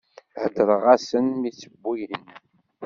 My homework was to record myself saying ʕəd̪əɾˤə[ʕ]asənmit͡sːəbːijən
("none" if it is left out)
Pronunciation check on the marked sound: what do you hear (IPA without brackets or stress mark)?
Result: ʁ